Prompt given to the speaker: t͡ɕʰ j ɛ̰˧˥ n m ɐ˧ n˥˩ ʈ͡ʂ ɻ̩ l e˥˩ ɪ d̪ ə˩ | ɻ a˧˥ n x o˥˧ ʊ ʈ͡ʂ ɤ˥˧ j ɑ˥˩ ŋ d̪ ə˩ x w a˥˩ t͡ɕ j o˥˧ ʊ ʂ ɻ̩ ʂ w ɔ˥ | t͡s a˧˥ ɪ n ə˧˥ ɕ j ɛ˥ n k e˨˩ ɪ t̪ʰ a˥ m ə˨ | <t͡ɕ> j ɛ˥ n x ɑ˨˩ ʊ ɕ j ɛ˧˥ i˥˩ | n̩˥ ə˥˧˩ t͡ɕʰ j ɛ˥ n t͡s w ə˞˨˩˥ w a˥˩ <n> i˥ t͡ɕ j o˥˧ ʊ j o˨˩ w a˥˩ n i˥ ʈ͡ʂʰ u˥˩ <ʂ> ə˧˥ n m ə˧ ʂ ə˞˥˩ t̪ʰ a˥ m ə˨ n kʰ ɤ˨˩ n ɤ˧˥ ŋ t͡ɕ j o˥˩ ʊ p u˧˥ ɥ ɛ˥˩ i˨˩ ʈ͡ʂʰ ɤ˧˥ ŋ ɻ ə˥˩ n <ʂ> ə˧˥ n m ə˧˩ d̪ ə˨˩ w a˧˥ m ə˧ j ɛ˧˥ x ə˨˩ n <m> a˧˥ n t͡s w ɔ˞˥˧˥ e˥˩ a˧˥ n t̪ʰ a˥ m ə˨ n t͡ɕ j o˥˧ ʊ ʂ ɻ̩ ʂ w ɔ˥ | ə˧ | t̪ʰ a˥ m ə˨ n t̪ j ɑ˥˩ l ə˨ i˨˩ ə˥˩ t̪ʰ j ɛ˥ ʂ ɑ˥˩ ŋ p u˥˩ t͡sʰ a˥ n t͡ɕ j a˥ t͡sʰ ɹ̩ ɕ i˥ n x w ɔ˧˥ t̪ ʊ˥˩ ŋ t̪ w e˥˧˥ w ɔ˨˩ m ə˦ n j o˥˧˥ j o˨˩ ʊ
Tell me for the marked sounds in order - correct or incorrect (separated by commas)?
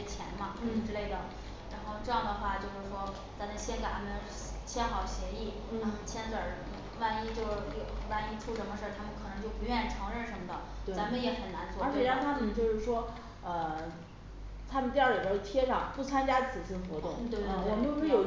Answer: incorrect, correct, correct, correct, incorrect